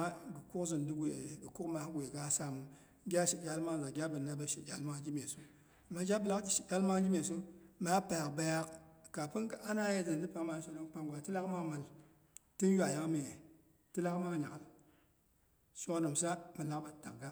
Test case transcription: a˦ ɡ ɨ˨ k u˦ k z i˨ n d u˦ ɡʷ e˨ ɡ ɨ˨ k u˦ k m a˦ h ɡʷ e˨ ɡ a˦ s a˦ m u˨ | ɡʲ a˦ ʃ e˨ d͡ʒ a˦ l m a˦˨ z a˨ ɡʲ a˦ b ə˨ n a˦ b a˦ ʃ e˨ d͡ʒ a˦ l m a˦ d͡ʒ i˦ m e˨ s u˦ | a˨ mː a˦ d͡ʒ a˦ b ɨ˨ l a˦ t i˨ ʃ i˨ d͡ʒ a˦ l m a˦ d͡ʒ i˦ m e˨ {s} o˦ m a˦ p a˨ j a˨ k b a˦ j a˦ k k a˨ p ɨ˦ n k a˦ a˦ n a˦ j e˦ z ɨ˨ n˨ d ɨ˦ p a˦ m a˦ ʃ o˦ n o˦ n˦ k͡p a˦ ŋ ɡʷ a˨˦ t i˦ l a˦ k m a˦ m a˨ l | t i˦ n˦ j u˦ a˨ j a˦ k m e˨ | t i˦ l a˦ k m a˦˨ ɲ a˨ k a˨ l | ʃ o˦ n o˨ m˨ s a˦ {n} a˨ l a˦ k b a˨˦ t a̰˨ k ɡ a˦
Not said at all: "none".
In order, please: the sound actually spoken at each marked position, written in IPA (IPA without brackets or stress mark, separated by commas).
s, m